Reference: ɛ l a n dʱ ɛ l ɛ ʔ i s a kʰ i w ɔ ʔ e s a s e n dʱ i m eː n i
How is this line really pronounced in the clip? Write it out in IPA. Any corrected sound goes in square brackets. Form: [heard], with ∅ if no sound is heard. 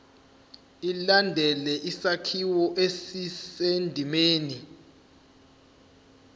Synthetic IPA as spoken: [i] l a n dʱ ɛ l ɛ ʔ i s a kʰ i w ɔ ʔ e s [i] s e n dʱ i m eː n i